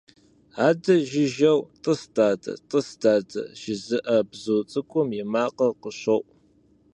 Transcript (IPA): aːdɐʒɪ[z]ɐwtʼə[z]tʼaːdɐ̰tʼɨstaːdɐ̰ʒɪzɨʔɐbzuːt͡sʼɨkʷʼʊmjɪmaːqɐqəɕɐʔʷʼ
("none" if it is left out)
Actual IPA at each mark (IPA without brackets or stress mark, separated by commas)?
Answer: ʒ, s